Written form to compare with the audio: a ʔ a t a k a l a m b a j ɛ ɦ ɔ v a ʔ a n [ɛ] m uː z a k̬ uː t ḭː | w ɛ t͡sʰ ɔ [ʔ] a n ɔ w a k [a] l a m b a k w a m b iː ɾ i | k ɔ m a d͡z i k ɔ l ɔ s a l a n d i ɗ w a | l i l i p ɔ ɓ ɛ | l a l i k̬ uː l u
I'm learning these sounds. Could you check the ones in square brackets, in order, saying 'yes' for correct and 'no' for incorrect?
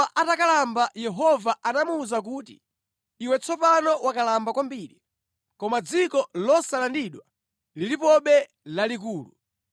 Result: no, no, yes

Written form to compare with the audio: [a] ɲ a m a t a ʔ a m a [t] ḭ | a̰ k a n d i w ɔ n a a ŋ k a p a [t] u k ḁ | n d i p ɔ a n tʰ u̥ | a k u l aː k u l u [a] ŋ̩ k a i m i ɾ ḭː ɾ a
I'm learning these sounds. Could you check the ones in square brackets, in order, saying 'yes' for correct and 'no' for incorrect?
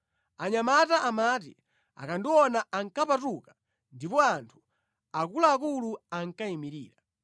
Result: yes, yes, yes, yes

